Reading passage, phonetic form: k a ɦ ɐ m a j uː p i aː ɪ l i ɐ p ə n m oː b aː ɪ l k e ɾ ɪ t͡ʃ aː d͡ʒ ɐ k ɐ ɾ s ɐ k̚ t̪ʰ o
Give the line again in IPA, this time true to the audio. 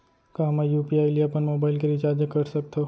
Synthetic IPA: k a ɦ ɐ m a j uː p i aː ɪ l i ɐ p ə n m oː b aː ɪ l k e ɾ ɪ t͡ʃ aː d͡ʒ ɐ k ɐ ɾ s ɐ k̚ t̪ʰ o

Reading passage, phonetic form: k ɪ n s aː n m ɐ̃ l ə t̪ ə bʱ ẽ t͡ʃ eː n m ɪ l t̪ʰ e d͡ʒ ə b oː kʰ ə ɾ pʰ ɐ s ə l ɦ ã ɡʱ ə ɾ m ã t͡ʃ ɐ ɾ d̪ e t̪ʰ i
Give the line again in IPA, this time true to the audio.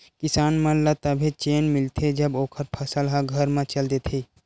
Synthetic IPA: k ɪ s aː n m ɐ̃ l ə t̪ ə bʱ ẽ t͡ʃ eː n m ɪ l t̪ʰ e d͡ʒ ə b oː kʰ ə ɾ pʰ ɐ s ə l ɦ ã ɡʱ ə ɾ m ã t͡ʃ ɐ l d̪ e t̪ʰ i

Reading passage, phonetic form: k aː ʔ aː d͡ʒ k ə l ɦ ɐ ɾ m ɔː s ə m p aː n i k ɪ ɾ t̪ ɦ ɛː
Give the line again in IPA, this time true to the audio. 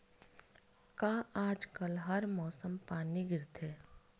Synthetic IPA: k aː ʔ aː d͡ʒ k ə l ɦ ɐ ɾ m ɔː s ə m p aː n i ɡ ɪ ɾ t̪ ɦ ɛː

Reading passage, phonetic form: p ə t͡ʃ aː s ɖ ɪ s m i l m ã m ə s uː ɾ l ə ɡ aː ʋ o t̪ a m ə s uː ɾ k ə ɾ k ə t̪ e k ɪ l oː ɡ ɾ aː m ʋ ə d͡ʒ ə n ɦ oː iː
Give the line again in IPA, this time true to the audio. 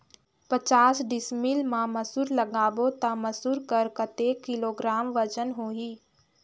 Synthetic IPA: p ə t͡ʃ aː s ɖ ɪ s m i l m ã m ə s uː ɾ l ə ɡ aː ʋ o t̪ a m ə s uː ɾ k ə ɾ k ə t̪ e k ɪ l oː ɡ ɾ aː m ʋ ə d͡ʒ ə n ɦ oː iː

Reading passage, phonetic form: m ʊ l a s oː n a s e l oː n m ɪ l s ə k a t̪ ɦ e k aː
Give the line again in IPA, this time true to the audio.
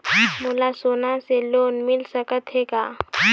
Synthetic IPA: m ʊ l a s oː n a s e l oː n m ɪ l s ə k ə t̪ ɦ e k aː

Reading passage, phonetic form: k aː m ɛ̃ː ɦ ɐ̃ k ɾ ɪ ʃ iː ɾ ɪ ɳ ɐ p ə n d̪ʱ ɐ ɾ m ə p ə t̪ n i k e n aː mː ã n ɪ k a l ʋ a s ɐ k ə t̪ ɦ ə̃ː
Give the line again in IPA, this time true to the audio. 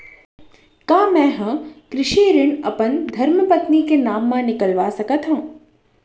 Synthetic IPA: k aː m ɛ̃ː ɦ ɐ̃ k ɾ ɪ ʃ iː ɾ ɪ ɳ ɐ p ə n d̪ʱ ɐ ɾ m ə p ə t̪ n i k e n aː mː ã n ɪ k ə l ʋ a s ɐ k ə t̪ ɦ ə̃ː

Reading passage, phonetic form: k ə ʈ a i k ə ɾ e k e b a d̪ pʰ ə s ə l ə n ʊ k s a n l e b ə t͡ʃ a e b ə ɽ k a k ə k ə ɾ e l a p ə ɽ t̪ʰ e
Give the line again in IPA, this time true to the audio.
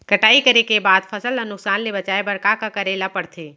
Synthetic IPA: k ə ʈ a i k ə ɾ e k e b a d̪ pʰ ə s ə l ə n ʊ k s a n l e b ə t͡ʃ a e b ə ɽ k a k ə k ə ɾ e l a p ə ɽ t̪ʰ e

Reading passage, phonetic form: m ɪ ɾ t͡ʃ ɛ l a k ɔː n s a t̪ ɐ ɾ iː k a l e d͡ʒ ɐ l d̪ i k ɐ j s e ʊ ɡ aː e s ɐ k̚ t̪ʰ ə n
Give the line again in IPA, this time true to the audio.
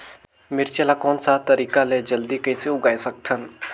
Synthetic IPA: m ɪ ɾ t͡ʃ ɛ l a k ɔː n s a t̪ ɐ ɾ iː k a l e d͡ʒ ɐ l d̪ i k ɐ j s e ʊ ɡ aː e s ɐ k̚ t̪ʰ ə n

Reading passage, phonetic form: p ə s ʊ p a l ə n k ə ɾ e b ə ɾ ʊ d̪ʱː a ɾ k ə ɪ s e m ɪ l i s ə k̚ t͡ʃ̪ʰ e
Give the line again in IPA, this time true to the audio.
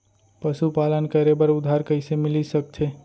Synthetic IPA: p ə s u p a l ə n k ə ɾ e b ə ɾ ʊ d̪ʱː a ɾ k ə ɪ s e m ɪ l i s ə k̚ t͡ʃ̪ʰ e

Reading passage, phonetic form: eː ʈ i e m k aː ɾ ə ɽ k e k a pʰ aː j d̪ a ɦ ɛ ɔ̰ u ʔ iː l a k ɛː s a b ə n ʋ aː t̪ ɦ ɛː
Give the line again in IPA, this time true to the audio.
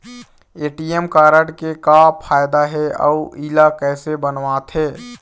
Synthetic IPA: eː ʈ i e m k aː ɾ ə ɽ k e k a pʰ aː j d̪ a ɦ ɛ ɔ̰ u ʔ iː l a k ɛː s e b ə n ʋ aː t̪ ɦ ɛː

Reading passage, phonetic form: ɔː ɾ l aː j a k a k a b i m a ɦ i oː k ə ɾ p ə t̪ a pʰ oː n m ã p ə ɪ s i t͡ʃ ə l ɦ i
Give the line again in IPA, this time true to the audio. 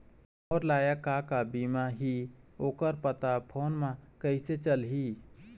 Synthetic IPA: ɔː ɾ l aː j a k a k a b i m a ɦ i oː k ə ɾ p ə t̪ a pʰ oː n m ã k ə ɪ s e t͡ʃ ə l ɦ i

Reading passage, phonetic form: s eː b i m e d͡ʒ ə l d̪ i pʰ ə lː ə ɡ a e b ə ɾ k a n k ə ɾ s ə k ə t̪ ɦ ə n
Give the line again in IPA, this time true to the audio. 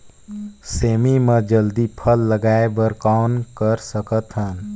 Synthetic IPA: s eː m i m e d͡ʒ ə l d̪ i pʰ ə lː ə ɡ a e b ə ɾ k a n k ə ɾ s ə k ə t̪ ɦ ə n

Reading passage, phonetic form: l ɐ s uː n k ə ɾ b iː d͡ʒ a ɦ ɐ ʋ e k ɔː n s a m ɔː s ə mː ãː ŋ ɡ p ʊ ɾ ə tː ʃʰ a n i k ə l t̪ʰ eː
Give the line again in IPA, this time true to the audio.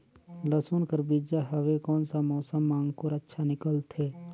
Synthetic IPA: l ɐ s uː n k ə ɾ b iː d͡ʒ a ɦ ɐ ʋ e k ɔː n s a m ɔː s ə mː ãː ŋ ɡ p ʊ ɾ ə tː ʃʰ a n ɪ k ə l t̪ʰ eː

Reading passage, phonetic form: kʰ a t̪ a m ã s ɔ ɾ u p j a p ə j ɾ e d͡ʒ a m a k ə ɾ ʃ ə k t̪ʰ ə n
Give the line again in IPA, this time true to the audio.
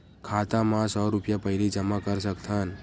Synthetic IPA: kʰ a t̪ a m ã s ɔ ɾ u p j a p ə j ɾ i d͡ʒ ə m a k ə ɾ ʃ ə k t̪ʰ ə n

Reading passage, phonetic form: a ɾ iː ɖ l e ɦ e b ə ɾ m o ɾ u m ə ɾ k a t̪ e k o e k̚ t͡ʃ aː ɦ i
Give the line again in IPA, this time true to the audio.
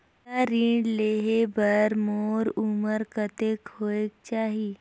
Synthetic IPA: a ɾ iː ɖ l e ɦ e b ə ɾ m o ɾ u m ə ɾ k ə t̪ e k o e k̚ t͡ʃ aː ɦ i

